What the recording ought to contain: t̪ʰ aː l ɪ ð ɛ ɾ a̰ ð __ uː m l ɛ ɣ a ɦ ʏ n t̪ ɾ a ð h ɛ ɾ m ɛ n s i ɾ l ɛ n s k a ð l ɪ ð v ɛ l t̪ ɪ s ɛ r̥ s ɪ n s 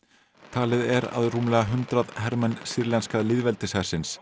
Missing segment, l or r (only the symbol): r